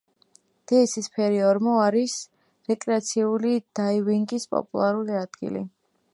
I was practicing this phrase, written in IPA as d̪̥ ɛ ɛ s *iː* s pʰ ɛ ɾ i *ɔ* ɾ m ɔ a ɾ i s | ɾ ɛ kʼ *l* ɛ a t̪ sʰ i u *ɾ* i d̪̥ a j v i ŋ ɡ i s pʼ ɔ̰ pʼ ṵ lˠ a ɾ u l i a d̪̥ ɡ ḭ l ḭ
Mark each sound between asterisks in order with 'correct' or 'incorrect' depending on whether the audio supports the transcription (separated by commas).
incorrect, correct, incorrect, incorrect